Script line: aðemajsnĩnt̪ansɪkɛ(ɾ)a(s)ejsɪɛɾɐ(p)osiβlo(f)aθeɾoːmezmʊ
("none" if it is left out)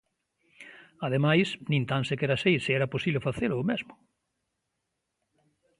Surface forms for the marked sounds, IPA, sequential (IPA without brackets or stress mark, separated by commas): ɾ, s, p, f